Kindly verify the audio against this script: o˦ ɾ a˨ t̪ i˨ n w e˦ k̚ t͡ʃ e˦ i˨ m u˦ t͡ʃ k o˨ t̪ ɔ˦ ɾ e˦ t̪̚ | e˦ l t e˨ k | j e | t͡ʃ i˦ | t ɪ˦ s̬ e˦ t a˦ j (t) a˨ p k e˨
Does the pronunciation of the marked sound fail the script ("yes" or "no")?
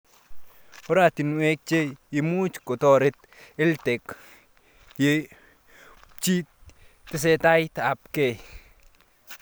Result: no